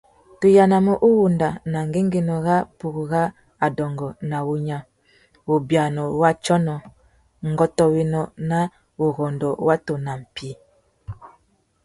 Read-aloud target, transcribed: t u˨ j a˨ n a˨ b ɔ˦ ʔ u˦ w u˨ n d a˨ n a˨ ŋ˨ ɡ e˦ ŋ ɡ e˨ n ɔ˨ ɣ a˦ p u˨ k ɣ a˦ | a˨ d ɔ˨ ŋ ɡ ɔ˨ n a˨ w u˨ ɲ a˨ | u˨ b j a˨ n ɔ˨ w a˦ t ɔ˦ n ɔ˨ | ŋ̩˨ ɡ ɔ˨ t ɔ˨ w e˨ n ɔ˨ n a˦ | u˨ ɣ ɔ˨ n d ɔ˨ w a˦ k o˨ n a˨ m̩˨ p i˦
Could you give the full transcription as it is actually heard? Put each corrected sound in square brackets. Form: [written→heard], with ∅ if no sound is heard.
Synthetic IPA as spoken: t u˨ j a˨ n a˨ [b→m] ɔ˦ ʔ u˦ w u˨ n d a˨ n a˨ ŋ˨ ɡ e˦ ŋ ɡ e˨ n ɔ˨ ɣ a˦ p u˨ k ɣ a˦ | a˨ d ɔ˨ ŋ ɡ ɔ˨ n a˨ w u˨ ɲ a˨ | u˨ b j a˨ n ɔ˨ w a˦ [t→t͡ʃ] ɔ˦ n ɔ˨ | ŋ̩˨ ɡ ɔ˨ t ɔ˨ w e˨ n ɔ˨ n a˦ | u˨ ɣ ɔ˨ n d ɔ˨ w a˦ [k→t] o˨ n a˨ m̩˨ p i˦